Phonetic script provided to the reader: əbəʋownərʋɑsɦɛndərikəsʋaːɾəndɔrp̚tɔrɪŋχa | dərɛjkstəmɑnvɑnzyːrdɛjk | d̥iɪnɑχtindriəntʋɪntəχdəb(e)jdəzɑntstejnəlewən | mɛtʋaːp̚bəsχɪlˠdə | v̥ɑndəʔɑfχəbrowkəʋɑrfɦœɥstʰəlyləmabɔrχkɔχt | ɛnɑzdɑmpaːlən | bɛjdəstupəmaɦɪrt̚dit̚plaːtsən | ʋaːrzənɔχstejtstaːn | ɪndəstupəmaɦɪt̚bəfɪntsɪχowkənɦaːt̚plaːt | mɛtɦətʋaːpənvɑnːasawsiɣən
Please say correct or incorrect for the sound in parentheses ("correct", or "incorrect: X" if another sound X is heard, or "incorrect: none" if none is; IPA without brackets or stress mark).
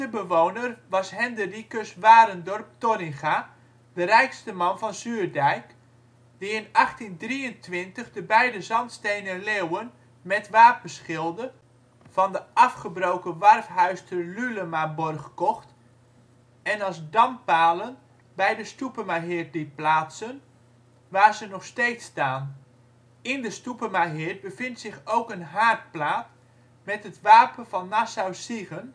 incorrect: ɛ